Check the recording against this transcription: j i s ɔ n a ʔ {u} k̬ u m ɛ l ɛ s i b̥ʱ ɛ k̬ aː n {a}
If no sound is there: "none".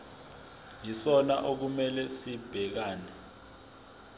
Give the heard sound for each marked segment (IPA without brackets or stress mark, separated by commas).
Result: o, ɛ